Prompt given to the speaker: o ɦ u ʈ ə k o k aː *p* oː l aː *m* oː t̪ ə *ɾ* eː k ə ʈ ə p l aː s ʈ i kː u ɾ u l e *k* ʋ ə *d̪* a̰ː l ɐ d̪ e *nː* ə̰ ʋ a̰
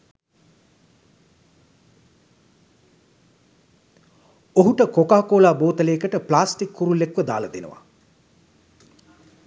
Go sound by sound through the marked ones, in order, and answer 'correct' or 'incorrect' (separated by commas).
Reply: incorrect, incorrect, incorrect, correct, correct, incorrect